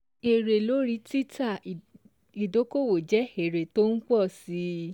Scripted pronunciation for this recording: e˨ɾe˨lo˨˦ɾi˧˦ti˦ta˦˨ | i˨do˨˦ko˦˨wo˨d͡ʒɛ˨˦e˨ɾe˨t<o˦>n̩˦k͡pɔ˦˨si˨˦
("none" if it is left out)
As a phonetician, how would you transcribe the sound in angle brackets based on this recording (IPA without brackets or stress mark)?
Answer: o˦